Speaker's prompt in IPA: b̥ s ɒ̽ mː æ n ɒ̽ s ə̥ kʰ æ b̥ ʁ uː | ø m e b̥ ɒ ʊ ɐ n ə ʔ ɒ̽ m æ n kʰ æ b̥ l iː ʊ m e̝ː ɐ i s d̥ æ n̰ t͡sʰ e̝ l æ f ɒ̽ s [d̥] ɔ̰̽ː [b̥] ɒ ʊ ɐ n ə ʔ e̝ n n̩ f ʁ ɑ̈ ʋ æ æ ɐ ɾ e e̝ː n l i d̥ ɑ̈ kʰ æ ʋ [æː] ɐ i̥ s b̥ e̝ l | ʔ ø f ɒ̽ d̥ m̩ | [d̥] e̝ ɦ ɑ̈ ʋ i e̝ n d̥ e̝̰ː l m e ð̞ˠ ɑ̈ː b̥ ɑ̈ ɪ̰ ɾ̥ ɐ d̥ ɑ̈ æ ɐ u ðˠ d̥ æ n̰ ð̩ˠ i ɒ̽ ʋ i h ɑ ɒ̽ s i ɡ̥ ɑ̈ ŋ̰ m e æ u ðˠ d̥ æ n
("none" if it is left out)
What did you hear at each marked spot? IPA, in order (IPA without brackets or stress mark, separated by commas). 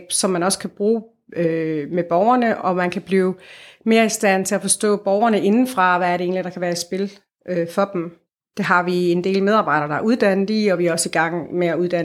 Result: d̥, b̥, æː, d̥